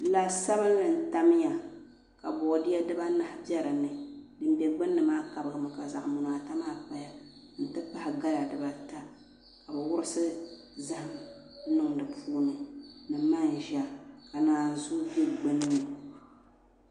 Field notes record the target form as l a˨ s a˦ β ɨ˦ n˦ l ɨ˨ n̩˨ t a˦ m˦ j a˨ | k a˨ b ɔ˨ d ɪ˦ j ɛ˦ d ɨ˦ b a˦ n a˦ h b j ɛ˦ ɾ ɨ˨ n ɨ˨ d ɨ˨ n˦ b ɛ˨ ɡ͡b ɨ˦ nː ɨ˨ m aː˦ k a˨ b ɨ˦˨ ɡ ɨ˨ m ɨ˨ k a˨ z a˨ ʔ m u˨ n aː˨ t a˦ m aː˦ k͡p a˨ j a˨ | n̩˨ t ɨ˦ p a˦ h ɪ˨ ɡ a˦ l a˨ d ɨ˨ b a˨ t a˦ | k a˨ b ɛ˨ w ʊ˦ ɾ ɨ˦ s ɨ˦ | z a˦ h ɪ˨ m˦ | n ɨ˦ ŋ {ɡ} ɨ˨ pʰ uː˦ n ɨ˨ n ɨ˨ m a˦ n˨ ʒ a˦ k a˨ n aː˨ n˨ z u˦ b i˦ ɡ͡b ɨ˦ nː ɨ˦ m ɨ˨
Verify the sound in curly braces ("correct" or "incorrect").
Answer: incorrect